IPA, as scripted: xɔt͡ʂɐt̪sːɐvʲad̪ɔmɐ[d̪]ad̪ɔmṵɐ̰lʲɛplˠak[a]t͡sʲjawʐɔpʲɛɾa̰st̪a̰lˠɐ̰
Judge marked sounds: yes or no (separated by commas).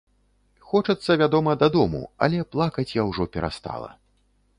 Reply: yes, no